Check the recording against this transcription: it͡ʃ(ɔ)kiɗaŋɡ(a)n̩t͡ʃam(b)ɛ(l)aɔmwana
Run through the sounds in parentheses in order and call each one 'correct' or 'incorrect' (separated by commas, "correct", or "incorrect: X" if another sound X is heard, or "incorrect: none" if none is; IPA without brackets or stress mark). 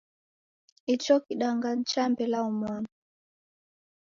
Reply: correct, correct, correct, correct